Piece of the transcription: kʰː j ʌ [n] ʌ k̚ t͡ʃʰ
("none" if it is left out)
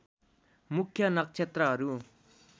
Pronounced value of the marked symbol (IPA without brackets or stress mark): n